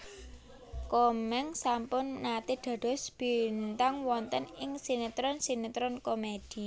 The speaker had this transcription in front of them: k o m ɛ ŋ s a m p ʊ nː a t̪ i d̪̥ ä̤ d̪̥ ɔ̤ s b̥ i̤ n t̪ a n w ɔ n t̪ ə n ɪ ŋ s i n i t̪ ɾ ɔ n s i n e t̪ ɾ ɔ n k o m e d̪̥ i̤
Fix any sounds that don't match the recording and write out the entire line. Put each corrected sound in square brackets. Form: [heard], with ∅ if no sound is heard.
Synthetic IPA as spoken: k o m ɛ ŋ s a m p ʊ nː a t̪ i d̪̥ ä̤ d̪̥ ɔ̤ s b̥ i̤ n t̪ a [ŋ] w ɔ n t̪ ə n ɪ ŋ s i n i t̪ ɾ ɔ n s i n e t̪ ɾ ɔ n k o m e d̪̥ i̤